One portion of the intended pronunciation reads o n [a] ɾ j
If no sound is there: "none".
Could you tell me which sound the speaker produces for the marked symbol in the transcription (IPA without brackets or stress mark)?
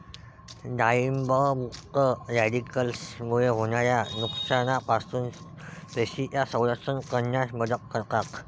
a